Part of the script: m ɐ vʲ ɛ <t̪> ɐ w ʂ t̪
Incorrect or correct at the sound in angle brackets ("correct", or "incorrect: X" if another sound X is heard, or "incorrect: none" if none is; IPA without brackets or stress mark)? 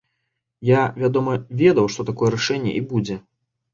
incorrect: d̪